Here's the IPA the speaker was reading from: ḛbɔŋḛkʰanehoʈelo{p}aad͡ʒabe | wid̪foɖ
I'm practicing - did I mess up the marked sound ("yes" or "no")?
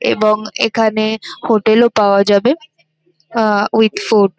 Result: no